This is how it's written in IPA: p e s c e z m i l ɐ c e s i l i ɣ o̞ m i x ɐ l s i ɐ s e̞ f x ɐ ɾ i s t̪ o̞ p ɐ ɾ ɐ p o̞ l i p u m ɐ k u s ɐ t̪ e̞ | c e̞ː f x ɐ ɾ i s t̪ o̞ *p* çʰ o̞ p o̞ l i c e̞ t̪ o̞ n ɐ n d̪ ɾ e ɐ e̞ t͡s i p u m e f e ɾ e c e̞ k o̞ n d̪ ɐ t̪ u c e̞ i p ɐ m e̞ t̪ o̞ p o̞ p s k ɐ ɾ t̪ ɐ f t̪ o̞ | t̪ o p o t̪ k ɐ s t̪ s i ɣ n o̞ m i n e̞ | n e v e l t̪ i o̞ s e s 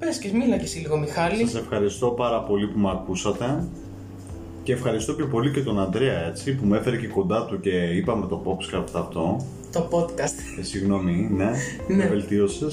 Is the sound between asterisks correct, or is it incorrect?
correct